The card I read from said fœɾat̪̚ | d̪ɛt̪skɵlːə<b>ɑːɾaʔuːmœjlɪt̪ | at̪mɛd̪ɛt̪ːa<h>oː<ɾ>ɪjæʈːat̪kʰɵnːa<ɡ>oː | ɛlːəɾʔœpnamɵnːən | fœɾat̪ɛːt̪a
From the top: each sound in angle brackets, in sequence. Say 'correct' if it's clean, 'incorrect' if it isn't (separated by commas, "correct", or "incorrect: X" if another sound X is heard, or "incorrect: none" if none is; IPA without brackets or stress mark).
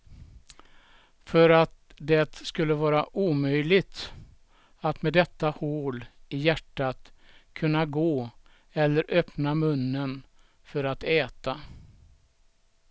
incorrect: v, correct, incorrect: l, correct